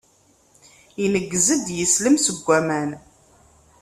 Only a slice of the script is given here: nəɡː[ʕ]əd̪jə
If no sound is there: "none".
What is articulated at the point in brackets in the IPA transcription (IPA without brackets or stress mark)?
z